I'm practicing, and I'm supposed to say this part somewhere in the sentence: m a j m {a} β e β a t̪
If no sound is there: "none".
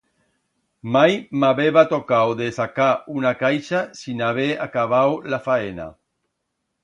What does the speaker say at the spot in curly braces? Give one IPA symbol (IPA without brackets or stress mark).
a